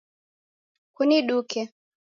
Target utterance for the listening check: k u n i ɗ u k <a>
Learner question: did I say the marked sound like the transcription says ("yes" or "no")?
no